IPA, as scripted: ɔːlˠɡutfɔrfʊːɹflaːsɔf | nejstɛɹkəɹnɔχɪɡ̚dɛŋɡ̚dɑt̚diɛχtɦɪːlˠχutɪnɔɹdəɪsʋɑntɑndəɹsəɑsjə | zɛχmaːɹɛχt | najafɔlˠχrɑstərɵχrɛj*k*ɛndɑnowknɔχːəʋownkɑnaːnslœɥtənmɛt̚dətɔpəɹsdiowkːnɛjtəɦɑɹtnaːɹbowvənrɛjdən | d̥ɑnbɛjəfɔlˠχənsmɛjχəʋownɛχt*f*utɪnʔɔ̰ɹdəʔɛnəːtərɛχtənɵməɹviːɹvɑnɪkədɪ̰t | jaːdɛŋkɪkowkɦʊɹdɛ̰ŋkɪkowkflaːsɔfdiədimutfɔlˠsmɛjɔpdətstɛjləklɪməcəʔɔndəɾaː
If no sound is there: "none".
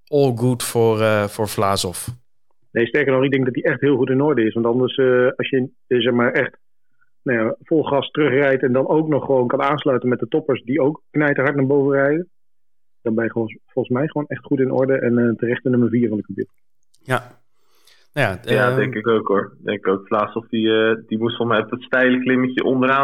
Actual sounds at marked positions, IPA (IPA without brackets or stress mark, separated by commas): t, χ